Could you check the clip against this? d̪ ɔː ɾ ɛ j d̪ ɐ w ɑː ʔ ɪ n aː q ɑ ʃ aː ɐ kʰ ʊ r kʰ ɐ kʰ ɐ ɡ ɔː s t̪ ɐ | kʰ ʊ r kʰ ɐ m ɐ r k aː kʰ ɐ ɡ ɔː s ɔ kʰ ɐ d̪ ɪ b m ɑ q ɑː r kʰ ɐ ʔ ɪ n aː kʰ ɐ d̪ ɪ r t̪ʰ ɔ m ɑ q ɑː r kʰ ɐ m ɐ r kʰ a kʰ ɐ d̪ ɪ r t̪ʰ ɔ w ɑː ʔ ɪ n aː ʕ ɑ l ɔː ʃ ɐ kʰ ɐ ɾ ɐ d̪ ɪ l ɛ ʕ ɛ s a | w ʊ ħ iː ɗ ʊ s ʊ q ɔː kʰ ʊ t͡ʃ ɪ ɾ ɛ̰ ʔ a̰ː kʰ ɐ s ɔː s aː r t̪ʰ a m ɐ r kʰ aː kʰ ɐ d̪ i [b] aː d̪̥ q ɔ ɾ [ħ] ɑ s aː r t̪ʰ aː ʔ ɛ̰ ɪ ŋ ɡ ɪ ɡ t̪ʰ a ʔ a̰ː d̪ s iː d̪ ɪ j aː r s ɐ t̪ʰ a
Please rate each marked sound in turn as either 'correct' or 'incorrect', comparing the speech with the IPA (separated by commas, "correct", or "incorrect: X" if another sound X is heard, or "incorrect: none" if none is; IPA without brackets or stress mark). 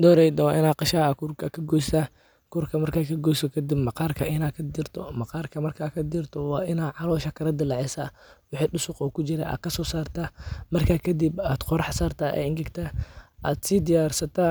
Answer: correct, correct